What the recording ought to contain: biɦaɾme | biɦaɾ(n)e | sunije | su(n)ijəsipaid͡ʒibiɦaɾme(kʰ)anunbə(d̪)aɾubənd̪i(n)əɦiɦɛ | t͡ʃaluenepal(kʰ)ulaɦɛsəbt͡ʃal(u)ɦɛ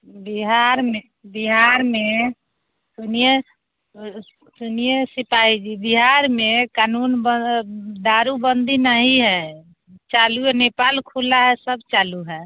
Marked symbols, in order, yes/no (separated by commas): no, yes, no, yes, yes, yes, yes